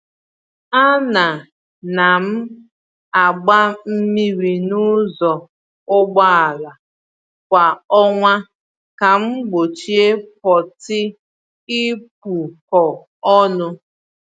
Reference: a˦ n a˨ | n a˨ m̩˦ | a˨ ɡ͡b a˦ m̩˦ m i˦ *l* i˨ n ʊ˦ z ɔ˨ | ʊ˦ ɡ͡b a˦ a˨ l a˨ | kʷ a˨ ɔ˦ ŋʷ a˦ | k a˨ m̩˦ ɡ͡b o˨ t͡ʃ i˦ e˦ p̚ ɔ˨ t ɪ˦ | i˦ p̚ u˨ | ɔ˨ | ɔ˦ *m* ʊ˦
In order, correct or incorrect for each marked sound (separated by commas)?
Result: incorrect, incorrect